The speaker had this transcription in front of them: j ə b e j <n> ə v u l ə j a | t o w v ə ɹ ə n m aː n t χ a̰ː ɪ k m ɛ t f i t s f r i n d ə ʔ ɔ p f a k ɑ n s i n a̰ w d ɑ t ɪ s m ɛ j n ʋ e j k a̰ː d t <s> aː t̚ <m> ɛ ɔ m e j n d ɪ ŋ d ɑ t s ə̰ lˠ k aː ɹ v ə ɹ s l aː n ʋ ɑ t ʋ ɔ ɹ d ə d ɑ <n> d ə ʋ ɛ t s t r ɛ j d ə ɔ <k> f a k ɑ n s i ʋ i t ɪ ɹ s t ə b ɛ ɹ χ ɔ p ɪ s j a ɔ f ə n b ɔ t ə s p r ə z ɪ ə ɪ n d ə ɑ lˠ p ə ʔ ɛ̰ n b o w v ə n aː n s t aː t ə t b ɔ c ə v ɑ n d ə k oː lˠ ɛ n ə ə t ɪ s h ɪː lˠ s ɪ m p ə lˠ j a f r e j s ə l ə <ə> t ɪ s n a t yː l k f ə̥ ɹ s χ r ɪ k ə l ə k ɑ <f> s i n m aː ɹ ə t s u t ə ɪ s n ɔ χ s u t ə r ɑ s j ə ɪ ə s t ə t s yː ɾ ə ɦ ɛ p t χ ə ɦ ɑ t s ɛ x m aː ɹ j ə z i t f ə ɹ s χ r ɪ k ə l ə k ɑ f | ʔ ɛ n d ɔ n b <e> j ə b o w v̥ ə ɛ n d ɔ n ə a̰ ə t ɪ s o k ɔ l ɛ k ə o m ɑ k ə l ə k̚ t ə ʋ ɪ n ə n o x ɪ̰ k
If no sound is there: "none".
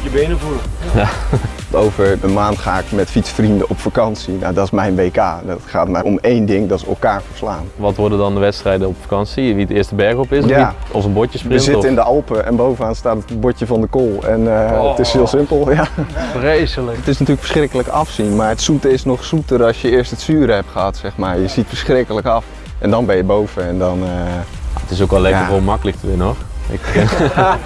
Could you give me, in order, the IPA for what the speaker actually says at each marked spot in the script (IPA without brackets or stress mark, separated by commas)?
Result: n, χ, m, n, p, ə, f, ɛ